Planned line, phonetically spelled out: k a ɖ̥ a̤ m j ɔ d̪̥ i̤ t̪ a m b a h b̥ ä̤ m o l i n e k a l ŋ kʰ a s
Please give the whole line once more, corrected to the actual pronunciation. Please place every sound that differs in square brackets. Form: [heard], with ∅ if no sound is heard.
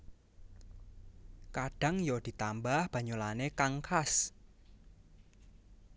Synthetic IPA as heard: k a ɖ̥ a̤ [ŋ] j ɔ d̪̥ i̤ t̪ a m b a h b̥ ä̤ [ɲ] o l [a] n e k a [∅] ŋ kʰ a s